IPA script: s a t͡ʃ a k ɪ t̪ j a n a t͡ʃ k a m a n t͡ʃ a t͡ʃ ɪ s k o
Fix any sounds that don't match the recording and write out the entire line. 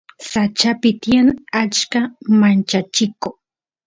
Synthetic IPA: s a t͡ʃ a p ɪ t̪ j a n a t͡ʃ k a m a n t͡ʃ a t͡ʃ ɪ k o